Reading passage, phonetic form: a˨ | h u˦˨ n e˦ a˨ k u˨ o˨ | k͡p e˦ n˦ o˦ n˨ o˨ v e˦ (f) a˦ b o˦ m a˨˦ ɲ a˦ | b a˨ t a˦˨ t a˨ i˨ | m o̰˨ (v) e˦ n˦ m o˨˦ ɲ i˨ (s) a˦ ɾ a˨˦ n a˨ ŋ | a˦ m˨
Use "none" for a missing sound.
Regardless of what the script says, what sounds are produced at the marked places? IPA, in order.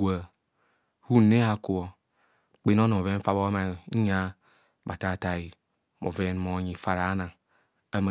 f, v, f

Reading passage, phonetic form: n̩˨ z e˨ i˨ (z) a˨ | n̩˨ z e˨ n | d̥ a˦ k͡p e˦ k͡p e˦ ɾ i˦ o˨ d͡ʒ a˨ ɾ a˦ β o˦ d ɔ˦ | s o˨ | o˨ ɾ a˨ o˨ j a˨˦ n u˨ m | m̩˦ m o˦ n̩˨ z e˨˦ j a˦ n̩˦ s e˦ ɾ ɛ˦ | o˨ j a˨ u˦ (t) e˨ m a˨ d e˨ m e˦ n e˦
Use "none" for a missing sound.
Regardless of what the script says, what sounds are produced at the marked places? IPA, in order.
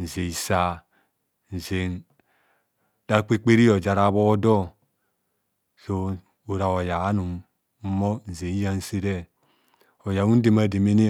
s, d

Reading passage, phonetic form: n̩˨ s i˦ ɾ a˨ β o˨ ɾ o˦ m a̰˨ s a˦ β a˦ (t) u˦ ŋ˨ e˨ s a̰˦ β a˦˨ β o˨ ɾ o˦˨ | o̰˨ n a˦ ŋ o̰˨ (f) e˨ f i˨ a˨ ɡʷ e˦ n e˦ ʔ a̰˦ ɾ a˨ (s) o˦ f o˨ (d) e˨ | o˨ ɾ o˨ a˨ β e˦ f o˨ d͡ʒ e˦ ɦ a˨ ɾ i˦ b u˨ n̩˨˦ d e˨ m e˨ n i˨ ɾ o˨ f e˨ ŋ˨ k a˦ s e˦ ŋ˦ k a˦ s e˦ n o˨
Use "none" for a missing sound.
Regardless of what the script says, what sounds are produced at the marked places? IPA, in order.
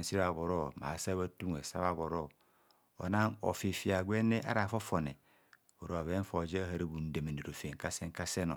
t, f, f, n

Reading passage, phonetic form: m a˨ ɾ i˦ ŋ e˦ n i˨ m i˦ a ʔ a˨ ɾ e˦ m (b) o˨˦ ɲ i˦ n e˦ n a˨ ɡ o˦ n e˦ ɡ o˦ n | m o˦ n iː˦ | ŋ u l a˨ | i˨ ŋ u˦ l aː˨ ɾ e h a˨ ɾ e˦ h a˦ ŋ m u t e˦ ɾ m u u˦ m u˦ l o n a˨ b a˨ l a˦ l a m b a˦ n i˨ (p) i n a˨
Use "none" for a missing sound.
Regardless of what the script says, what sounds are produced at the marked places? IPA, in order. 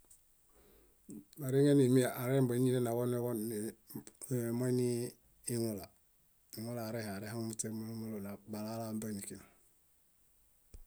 b, k

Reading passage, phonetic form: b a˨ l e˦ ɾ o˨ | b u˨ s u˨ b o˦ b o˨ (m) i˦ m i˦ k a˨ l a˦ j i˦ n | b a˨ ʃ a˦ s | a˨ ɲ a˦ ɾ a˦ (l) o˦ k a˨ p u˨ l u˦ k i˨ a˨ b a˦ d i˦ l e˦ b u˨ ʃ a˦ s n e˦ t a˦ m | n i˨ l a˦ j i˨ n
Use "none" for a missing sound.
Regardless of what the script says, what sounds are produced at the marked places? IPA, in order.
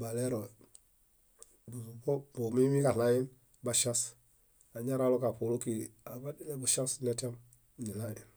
m, l

